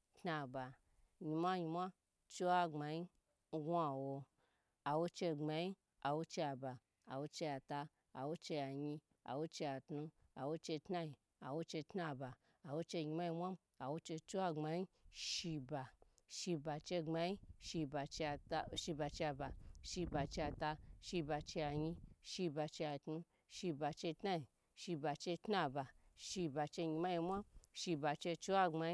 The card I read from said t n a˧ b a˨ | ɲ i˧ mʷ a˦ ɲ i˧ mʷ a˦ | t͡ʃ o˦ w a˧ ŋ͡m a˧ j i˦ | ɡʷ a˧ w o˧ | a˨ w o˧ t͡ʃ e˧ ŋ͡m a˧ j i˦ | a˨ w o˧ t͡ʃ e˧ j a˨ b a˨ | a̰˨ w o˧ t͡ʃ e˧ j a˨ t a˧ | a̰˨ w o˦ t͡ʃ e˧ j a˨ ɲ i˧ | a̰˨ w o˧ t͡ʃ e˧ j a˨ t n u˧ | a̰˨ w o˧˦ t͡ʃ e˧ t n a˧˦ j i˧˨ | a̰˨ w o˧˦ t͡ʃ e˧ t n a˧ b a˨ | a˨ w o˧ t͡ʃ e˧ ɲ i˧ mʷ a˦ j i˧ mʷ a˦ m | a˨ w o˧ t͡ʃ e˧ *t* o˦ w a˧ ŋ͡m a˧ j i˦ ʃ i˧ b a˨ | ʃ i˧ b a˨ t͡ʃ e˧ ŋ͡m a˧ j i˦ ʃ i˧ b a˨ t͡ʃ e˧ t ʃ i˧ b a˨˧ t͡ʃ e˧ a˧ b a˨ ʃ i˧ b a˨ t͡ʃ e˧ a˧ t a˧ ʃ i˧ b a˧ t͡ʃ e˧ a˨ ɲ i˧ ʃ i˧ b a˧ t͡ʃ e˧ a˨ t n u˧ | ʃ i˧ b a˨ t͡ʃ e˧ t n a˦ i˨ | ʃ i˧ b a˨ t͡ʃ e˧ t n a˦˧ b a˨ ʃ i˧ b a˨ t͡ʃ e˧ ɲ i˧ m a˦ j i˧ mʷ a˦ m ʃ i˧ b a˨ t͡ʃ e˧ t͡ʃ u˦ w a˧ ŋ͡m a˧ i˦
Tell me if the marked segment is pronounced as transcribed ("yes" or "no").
no